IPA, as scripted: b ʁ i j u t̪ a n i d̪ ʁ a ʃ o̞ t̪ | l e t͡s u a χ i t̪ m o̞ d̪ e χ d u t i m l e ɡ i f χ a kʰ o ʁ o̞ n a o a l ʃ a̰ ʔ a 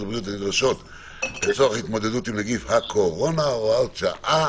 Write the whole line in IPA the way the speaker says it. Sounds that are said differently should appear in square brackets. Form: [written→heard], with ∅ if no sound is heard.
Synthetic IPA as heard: b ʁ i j u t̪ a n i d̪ ʁ a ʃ o̞ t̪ | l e t͡s [u→o] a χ i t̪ m o̞ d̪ e [χ→∅] d u t i m l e ɡ i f [χ→h] a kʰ o ʁ o̞ n a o a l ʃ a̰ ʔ a